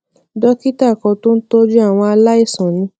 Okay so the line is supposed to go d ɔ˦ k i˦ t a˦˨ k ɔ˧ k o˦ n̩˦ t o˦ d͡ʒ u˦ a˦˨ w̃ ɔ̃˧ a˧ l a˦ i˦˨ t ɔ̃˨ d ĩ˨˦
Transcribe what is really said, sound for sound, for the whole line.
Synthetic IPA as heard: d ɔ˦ k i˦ t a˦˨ k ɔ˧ t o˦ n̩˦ t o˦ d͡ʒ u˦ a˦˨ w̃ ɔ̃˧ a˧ l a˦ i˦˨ s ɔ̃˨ n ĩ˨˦